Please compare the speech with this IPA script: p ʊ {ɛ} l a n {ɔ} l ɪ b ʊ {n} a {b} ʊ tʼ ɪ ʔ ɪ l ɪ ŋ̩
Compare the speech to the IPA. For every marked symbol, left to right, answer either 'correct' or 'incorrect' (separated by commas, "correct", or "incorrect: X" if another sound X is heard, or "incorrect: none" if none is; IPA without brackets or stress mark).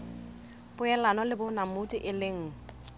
correct, correct, correct, incorrect: m